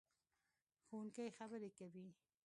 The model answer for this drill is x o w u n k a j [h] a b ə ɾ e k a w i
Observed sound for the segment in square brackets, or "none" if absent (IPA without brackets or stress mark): x